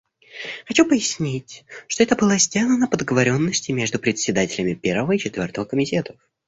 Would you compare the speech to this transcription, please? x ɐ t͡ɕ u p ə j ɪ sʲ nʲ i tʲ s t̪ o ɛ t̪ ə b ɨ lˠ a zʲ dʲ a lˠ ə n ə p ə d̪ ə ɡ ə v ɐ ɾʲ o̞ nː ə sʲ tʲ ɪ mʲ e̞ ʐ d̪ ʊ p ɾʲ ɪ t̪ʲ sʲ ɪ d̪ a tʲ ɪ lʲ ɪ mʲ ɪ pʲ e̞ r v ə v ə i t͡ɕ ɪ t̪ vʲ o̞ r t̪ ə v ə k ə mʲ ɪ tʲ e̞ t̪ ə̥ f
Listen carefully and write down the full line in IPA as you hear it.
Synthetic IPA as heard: x ɐ t͡ɕ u p ə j ɪ sʲ nʲ i tʲ ʂ t̪ o ɛ t̪ ə b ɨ lˠ a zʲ dʲ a lˠ ə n ə p ə d̪ ə ɡ ə v ɐ ɾʲ o̞ nː ə sʲ tʲ ɪ mʲ e̞ ʐ d̪ ʊ p ɾʲ ɪ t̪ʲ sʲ ɪ d̪ a tʲ ɪ lʲ ɪ mʲ ɪ pʲ e̞ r v ə v ə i t͡ɕ ɪ t̪ vʲ o̞ r t̪ ə v ə k ə mʲ ɪ tʲ e̞ t̪ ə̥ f